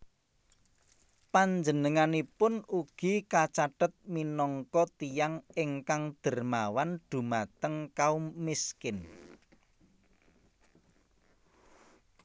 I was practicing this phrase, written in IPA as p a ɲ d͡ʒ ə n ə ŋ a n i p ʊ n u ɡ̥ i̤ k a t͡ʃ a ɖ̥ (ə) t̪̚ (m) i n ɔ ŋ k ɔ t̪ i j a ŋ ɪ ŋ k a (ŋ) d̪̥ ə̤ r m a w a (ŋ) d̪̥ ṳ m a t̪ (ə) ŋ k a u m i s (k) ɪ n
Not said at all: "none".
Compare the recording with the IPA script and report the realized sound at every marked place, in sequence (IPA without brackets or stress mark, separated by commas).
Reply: ə, m, ŋ, n, ə, k